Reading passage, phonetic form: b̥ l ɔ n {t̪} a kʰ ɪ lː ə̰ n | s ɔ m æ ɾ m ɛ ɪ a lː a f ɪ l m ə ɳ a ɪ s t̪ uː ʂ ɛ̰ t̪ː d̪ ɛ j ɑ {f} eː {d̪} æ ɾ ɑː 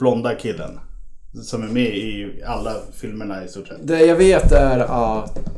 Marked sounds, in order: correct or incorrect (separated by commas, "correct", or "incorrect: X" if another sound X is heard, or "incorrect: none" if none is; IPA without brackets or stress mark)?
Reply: incorrect: d̪, incorrect: v, incorrect: t̪